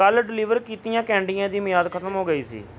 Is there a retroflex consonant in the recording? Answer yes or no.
yes